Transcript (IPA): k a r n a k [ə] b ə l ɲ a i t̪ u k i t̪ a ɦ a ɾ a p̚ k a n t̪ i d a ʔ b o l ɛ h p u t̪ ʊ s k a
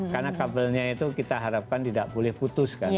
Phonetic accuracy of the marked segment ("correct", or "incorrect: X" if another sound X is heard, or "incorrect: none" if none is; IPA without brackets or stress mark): incorrect: a